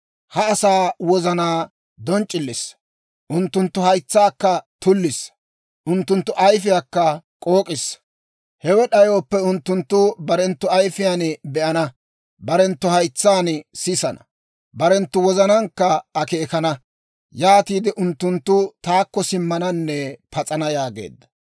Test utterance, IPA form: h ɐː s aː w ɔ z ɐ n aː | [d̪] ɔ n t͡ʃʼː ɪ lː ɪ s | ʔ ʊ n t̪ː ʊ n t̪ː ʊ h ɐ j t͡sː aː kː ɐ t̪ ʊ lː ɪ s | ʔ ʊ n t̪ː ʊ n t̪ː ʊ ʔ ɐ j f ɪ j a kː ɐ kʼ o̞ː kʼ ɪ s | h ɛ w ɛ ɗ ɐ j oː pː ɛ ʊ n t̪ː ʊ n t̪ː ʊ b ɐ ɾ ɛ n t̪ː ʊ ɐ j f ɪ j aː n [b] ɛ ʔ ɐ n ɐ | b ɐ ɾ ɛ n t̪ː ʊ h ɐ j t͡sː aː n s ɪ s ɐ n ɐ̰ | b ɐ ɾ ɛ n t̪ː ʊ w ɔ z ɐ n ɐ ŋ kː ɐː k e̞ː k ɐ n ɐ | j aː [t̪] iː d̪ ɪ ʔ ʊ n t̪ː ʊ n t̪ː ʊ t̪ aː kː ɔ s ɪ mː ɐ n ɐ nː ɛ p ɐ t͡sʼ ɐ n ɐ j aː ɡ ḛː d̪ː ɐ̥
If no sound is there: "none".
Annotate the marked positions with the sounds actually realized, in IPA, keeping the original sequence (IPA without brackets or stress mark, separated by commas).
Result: d̪, b, t̪